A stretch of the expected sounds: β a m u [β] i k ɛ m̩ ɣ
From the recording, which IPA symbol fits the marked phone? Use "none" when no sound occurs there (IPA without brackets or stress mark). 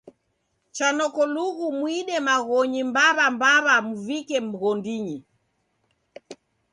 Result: v